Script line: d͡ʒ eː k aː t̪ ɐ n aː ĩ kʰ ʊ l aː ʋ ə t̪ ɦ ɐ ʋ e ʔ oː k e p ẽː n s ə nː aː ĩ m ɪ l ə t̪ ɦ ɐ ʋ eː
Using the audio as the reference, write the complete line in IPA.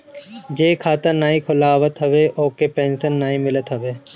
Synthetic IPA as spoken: d͡ʒ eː kʰ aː t̪ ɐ n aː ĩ kʰ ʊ l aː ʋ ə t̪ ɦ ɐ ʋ e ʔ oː k e p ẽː n s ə nː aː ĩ m ɪ l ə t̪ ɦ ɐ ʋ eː